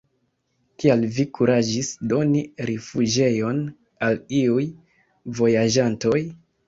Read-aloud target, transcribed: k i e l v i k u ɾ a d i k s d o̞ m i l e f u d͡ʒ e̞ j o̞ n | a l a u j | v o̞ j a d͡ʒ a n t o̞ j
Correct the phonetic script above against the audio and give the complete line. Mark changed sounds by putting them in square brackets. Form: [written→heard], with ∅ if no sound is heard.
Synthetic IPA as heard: k i [e→a] l v i k u ɾ a [d→d͡ʒ] i [k→∅] s d o̞ [m→n] i [l→ɾ] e f u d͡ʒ e̞ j o̞ n | a l [a→i] u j | v o̞ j a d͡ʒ a n t o̞ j